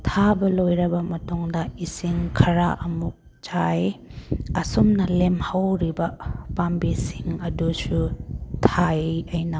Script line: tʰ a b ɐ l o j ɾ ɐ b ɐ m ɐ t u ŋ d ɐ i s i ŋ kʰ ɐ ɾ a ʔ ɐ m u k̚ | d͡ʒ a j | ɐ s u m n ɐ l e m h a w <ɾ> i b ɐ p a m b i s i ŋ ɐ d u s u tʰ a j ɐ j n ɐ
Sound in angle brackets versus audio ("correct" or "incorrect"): correct